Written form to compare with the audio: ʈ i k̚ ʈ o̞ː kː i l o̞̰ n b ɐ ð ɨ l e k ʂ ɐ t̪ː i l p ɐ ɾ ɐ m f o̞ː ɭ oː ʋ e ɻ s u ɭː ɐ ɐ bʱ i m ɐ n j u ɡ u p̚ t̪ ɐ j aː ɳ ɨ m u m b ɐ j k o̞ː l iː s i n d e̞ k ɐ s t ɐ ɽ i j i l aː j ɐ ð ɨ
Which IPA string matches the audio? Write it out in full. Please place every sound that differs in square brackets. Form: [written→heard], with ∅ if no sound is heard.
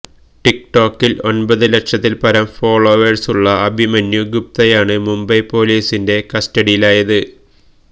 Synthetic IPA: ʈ i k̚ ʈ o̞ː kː i l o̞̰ n b ɐ ð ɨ l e k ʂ ɐ t̪ː i l p ɐ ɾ ɐ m f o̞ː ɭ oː ʋ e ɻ s u ɭː ɐ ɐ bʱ i m ɐ n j u ɡ u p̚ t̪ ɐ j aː ɳ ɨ m u m b ɐ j [k→p] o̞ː l iː s i n d e̞ k ɐ s t ɐ ɽ i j i l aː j ɐ ð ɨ